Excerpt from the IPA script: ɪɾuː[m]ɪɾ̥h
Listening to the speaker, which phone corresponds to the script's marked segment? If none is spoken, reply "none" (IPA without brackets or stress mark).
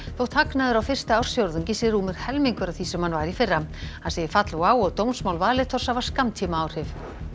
m